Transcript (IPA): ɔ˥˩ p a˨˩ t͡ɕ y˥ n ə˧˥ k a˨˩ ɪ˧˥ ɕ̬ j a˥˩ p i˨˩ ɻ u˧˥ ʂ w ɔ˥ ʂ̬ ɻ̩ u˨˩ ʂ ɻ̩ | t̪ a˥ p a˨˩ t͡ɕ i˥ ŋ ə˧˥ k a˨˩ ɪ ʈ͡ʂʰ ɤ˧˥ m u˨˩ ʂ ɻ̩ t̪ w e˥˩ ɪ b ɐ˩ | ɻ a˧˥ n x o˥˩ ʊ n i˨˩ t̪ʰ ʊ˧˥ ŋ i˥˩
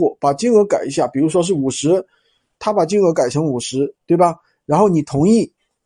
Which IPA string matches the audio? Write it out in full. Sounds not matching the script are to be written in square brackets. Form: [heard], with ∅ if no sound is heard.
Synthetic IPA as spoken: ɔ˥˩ p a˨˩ t͡ɕ [i˥] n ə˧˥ k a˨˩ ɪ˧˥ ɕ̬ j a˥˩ p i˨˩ ɻ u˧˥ ʂ w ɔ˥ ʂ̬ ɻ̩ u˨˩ ʂ ɻ̩ | [t̪ʰ] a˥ p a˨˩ t͡ɕ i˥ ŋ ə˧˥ k a˨˩ ɪ ʈ͡ʂʰ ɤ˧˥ [ŋ] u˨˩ ʂ ɻ̩ t̪ w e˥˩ ɪ b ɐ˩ | ɻ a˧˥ n x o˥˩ ʊ n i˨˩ t̪ʰ ʊ˧˥ ŋ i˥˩